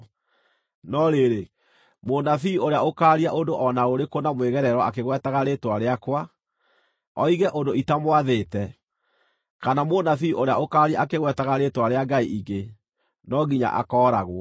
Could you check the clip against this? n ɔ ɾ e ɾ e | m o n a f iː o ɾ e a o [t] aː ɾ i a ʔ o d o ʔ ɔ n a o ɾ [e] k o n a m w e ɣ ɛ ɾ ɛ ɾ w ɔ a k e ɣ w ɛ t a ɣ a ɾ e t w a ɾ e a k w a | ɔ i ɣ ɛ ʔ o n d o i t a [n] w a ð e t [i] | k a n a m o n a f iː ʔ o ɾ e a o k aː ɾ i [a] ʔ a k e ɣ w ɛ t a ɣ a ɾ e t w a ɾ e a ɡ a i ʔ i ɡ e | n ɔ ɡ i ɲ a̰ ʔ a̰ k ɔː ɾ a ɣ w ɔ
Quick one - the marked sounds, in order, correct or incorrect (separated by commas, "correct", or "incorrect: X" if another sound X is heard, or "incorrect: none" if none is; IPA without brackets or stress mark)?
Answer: incorrect: k, correct, incorrect: m, incorrect: ɛ, correct